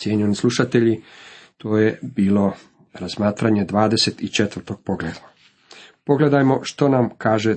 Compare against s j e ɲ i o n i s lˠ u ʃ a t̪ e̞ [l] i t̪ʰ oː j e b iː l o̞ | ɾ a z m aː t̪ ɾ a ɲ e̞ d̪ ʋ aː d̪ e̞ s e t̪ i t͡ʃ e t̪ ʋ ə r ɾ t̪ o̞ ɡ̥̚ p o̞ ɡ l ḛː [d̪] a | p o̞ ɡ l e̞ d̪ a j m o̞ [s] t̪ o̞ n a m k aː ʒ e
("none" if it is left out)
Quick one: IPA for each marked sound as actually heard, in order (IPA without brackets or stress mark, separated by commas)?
ʎ, d̪, ʃ